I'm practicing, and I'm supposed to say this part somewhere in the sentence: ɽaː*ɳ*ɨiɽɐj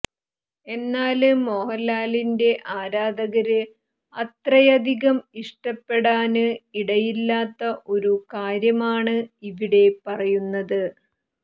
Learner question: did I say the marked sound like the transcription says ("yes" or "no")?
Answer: no